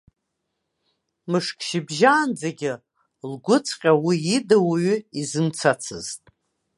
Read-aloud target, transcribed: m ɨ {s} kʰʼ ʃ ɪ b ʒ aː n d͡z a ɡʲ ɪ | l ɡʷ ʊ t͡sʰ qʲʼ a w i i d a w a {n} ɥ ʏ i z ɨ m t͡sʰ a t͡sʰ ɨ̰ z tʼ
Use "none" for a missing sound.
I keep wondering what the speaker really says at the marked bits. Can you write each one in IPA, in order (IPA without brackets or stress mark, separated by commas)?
ʂ, none